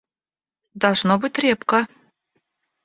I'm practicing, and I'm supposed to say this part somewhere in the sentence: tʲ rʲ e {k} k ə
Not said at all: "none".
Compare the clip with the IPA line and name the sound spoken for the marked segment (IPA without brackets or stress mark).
p